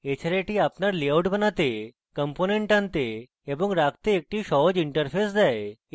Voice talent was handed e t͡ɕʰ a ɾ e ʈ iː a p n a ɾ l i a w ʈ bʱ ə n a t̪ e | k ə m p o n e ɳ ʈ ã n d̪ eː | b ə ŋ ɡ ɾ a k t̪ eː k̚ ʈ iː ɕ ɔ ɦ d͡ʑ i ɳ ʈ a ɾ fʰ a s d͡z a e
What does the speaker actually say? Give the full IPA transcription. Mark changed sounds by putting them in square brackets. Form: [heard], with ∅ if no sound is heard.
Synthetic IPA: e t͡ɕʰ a ɾ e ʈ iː a p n a ɾ l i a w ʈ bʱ ə n a t̪ e | k ə m p o n e ɳ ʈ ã n [t̪] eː | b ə ŋ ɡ ɾ a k t̪ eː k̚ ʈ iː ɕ ɔ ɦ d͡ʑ i ɳ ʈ [ə] ɾ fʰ [e] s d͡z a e